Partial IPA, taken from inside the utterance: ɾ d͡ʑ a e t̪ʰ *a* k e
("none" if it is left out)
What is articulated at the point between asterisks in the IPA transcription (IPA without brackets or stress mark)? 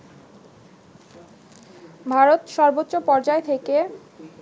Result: e